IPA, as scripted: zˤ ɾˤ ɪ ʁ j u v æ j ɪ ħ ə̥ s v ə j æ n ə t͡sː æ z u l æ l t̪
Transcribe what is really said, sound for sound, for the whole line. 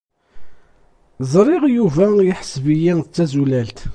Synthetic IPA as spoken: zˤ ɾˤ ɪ ʁ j u v æ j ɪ ħ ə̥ s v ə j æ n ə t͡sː æ z u l æ l t̪